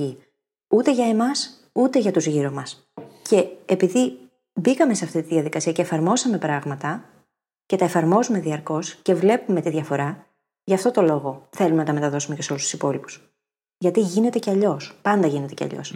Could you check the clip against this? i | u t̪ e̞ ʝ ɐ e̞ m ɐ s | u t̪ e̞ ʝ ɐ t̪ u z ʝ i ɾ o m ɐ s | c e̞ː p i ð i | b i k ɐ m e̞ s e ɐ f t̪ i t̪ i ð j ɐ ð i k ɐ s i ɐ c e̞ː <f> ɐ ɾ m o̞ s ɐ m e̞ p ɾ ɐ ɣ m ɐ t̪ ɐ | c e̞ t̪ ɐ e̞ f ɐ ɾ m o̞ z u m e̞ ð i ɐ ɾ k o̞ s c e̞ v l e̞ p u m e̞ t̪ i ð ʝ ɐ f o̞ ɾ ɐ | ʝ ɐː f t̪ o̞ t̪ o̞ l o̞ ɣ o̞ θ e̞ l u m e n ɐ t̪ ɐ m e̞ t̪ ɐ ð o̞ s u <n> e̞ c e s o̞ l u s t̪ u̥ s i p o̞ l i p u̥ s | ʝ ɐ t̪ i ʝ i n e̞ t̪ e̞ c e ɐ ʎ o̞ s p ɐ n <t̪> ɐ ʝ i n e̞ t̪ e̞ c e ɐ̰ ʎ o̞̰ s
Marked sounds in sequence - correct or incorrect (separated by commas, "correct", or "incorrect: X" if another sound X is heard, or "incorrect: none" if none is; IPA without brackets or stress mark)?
correct, incorrect: m, incorrect: d̪